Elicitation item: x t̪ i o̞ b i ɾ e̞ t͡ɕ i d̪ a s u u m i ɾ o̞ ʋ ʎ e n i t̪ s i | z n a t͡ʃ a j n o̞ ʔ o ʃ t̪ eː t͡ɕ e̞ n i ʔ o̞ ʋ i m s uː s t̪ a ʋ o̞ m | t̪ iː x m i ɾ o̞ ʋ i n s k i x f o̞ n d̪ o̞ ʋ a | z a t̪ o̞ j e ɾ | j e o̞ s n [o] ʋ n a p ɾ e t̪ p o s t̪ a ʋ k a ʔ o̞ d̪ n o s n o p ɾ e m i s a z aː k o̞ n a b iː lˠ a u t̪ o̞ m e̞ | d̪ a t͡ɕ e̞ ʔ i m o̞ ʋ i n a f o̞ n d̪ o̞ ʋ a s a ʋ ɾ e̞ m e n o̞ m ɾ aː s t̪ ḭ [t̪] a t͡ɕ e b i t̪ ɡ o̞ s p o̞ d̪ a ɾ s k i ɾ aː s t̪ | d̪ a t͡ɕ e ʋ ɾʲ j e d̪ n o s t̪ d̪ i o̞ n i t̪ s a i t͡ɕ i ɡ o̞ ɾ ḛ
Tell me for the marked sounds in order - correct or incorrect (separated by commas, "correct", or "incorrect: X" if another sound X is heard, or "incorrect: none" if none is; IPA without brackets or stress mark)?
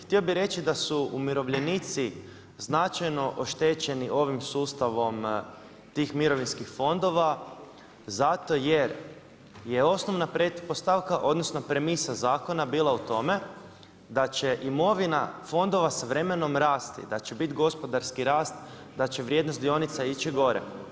correct, incorrect: d̪